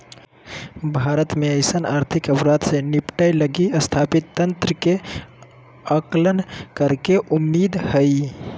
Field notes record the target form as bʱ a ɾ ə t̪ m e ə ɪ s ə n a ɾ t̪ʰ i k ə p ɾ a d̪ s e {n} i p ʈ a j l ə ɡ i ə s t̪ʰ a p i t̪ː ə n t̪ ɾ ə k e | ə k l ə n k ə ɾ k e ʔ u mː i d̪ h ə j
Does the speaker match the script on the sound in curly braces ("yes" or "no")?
yes